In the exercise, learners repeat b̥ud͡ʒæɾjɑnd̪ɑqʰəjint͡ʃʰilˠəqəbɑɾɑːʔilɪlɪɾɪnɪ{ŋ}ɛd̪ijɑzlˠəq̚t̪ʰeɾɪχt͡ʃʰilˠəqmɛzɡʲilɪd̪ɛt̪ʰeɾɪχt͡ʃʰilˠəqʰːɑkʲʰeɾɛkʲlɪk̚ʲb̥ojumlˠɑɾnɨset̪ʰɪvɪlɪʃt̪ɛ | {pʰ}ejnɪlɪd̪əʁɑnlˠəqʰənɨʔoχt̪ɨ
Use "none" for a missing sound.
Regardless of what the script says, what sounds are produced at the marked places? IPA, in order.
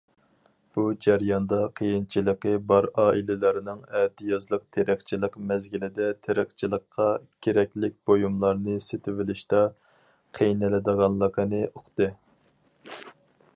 ŋ, qʰ

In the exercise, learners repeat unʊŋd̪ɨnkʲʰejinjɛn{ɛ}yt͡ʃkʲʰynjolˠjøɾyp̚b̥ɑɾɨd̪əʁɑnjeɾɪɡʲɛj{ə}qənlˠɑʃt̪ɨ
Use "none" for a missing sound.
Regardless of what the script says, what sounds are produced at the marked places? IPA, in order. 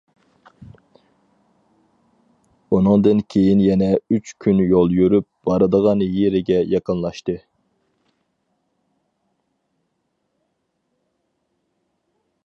ɛ, ɑ

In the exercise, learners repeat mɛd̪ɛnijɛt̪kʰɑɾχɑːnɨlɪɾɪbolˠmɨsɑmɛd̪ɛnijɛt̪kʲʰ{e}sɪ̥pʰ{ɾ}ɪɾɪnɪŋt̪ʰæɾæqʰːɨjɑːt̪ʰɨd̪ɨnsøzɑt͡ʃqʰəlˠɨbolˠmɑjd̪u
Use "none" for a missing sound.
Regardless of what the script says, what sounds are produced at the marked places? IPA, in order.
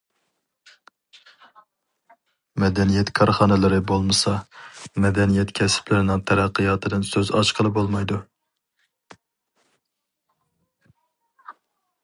ɛ, l

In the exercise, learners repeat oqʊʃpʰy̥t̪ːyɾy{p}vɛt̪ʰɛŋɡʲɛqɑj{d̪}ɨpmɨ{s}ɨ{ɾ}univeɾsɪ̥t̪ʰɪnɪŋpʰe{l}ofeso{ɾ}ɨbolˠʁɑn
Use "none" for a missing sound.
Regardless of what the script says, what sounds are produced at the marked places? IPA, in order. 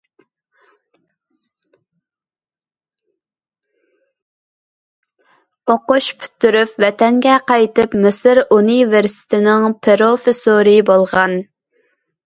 p, t̪, s, ɾ, ɾ, ɾ

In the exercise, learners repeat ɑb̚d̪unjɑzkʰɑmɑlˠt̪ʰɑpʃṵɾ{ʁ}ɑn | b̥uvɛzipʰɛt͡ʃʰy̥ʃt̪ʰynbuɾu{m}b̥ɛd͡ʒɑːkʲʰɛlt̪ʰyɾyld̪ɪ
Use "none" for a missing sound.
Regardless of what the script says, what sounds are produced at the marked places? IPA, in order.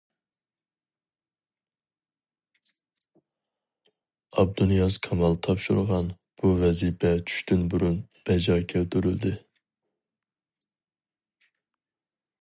ʁ, n

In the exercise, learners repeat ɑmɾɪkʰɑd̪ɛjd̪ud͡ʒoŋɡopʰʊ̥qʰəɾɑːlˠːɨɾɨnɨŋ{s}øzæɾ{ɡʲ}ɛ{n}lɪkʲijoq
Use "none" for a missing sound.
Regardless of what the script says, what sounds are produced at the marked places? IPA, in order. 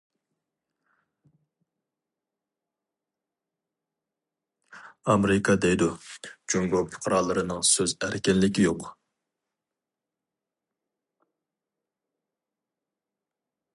s, kʲ, n

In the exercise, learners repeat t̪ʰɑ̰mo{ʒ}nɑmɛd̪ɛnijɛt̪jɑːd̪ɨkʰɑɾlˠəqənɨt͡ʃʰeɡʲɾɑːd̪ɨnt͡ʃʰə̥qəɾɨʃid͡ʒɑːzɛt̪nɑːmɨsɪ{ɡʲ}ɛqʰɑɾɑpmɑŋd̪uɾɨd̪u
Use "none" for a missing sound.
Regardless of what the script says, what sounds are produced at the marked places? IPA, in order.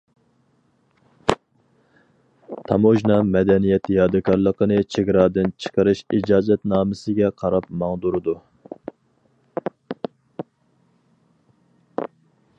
ʒ, ɡʲ

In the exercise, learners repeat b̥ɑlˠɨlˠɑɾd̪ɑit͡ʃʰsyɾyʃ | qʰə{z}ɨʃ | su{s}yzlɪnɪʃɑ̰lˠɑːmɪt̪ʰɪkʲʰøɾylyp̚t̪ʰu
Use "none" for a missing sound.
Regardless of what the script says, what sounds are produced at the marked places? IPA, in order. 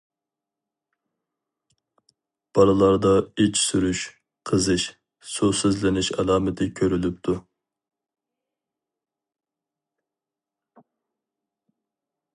z, s

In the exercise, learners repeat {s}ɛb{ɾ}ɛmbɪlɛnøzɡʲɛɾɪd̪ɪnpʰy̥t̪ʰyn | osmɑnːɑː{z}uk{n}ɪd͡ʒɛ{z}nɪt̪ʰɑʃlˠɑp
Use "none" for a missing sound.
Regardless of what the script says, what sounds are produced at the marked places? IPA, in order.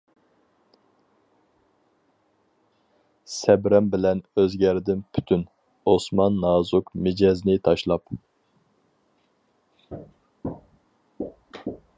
s, ɾ, z, m, z

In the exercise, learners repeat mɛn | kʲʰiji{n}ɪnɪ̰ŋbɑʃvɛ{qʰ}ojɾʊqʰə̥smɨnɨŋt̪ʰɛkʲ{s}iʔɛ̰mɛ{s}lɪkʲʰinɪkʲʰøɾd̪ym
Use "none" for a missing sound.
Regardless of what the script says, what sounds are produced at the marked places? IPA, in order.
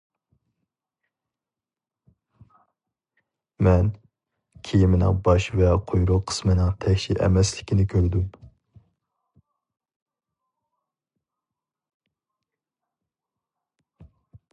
m, qʰ, ʃ, s

